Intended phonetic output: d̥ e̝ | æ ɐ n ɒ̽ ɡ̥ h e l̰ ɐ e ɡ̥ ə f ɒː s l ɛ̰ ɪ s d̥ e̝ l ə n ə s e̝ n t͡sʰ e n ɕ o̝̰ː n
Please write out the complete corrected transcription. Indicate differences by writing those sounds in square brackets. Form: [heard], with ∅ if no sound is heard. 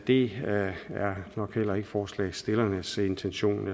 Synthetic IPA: d̥ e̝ | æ ɐ n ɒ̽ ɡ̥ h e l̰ ɐ e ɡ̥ ə f ɒː s l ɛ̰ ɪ s d̥ e̝ l [ɐ] n ə s e̝ n t͡sʰ e n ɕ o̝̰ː n